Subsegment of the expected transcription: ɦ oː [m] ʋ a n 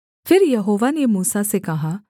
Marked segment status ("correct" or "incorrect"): incorrect